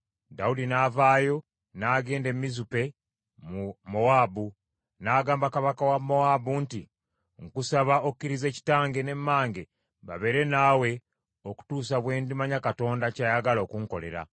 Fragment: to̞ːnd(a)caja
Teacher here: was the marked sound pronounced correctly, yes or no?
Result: yes